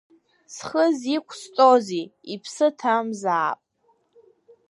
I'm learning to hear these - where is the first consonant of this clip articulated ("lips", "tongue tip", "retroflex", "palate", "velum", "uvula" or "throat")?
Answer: tongue tip